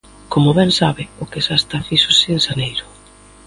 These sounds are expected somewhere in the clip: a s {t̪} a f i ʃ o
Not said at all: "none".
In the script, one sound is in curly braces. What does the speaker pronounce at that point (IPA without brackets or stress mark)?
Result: t̪